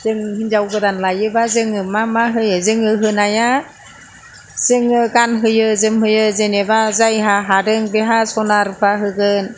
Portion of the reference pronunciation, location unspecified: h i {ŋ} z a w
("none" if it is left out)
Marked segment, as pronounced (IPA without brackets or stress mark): n